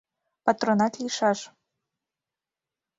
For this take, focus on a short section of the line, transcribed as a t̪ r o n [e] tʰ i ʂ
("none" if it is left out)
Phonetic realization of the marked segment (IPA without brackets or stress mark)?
a